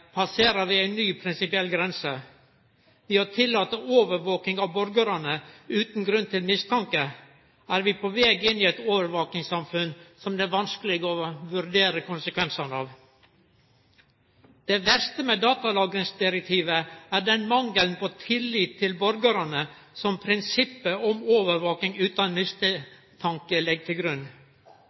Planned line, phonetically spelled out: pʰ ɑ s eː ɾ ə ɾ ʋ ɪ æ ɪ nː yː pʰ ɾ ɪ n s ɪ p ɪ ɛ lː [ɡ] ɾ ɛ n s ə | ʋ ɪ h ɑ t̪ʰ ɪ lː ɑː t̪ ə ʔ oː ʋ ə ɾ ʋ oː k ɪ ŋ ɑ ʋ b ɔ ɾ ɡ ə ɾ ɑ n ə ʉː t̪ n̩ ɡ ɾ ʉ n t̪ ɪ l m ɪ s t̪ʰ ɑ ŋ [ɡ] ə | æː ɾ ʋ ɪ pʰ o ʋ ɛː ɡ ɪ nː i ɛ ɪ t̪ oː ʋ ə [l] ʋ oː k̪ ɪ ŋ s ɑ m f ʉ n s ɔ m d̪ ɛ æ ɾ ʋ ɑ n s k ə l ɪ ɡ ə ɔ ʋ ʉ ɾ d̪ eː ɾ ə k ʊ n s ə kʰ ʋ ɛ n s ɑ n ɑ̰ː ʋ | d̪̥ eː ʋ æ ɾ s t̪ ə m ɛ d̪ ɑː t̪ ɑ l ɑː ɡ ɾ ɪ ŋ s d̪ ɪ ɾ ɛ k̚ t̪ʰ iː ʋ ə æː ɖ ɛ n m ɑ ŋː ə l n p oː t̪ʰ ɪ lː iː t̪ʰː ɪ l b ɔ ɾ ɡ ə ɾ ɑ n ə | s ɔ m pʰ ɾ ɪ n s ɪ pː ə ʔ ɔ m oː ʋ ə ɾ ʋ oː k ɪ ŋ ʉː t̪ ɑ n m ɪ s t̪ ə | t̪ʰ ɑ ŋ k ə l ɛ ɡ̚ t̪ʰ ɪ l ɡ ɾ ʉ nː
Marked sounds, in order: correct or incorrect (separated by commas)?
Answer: correct, incorrect, incorrect